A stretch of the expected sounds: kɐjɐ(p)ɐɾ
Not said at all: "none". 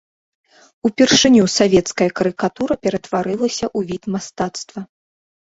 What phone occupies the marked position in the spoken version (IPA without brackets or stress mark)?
k